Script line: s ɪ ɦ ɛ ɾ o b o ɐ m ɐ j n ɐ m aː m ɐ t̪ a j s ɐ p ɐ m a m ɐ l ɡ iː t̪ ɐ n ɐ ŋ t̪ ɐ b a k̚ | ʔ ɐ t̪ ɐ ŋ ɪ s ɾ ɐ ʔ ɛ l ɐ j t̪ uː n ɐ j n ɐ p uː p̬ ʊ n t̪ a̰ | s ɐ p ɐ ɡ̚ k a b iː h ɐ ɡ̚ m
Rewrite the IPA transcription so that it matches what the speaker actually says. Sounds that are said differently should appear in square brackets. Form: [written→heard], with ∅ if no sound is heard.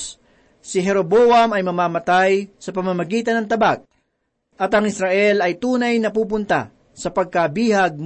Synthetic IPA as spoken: s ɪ ɦ ɛ ɾ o b o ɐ m ɐ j [n→m] ɐ m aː m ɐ t̪ a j s ɐ p ɐ m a m ɐ [l→∅] ɡ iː t̪ ɐ n ɐ ŋ t̪ ɐ b a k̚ | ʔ ɐ t̪ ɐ ŋ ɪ s ɾ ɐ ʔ ɛ l ɐ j t̪ uː n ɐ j n ɐ p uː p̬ ʊ n t̪ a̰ | s ɐ p ɐ ɡ̚ k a b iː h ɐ ɡ̚ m